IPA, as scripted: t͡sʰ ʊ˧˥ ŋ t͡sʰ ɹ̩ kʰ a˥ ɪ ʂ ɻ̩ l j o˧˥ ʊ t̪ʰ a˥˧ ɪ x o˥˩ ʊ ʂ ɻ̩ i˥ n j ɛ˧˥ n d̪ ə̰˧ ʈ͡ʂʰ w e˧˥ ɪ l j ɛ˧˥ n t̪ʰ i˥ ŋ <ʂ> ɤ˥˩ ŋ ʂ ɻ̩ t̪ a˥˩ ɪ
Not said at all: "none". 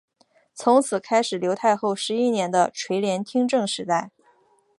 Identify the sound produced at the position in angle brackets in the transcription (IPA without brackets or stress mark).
ʈ͡ʂ